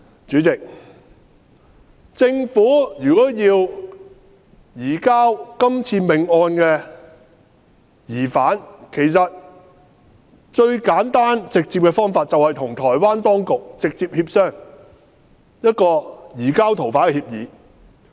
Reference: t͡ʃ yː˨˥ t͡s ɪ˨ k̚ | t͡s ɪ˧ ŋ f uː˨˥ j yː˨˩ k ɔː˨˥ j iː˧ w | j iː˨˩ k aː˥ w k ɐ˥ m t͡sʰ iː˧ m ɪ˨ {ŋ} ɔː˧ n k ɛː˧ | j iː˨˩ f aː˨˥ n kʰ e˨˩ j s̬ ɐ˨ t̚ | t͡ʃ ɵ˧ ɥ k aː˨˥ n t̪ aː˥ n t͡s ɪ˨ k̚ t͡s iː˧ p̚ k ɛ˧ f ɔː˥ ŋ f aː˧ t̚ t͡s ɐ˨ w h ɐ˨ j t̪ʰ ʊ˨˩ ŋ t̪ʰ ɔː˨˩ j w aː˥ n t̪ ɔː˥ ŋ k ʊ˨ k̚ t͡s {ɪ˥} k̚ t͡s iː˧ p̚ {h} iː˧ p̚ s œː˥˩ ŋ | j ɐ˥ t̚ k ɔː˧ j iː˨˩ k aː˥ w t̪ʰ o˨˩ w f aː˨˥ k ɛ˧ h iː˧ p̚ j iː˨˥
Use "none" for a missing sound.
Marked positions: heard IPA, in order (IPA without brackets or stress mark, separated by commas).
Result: ŋ, ɪ˨, h